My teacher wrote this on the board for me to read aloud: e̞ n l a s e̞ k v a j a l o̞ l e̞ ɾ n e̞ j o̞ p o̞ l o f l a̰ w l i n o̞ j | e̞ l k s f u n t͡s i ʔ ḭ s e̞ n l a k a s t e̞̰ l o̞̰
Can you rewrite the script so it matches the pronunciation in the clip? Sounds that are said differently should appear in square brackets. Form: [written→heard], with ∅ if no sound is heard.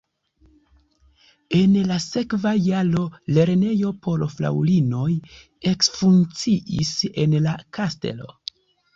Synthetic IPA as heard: e̞ n l a s e̞ k v a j a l o̞ l e̞ ɾ n e̞ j o̞ p o̞ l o f l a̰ w l i n o̞ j | e̞ [l→∅] k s f u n t͡s i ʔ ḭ s e̞ n l a k a s t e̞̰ l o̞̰